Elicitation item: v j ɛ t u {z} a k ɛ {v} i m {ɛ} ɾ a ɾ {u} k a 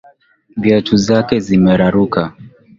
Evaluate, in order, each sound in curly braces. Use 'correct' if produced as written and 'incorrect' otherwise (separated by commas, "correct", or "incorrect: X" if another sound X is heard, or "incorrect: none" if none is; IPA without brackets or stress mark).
correct, incorrect: z, correct, correct